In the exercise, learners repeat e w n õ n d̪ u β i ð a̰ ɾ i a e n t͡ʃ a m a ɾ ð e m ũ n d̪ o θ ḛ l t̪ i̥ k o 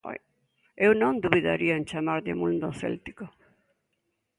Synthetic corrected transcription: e w n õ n d̪ u β i ð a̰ ɾ i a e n t͡ʃ a m a ɾ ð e m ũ n d̪ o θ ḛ l t̪ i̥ k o